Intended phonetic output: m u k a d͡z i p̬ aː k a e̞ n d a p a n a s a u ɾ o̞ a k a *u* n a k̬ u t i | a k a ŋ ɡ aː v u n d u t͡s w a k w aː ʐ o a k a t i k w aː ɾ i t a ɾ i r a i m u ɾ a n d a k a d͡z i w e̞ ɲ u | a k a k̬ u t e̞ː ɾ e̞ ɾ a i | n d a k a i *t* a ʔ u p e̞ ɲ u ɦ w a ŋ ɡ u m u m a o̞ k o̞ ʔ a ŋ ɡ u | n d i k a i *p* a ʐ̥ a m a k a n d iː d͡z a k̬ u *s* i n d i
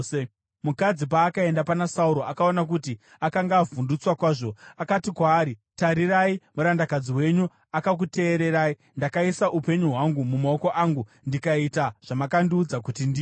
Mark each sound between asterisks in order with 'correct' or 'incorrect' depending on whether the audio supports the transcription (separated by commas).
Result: incorrect, incorrect, incorrect, incorrect